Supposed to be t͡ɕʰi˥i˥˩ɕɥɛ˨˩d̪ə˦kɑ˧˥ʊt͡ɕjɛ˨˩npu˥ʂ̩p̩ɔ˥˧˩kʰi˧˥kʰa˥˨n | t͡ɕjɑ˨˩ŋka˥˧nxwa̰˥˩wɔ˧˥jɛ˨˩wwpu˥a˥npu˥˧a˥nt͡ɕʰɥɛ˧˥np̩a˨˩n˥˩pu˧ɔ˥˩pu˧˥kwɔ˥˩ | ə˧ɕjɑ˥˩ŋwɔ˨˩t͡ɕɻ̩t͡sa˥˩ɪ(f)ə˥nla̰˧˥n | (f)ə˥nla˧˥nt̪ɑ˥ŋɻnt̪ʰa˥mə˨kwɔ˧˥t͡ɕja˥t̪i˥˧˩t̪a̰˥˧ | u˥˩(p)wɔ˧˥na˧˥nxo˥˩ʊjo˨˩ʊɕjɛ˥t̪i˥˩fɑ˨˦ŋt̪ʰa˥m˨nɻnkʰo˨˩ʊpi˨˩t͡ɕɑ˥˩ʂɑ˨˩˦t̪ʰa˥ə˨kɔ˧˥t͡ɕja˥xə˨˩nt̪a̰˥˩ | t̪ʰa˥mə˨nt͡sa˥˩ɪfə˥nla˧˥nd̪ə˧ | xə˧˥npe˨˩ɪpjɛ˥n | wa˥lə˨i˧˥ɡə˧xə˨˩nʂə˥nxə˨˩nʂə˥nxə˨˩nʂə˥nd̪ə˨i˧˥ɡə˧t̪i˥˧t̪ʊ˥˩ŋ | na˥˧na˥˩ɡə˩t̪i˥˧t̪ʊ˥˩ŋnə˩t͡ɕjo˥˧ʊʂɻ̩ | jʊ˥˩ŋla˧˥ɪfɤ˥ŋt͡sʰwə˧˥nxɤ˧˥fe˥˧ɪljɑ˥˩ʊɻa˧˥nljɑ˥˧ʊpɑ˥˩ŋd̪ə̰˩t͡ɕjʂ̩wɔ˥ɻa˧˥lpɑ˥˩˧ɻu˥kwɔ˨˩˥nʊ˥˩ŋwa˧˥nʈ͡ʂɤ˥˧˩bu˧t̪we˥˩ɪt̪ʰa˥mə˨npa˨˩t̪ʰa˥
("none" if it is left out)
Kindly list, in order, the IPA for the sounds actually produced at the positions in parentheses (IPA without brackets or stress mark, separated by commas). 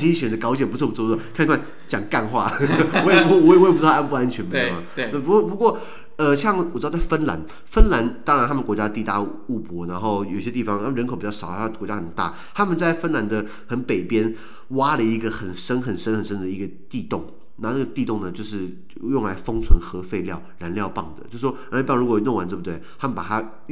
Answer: f, f, p